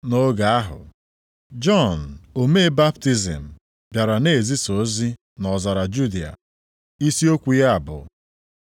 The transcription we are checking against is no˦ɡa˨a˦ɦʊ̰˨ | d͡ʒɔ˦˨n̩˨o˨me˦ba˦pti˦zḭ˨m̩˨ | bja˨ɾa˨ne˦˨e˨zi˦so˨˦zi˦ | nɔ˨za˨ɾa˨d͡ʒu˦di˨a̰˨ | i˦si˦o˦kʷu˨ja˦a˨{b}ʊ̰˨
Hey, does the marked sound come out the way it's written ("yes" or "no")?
yes